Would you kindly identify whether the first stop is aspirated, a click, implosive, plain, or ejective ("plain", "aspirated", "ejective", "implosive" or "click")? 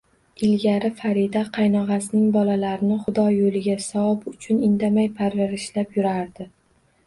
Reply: plain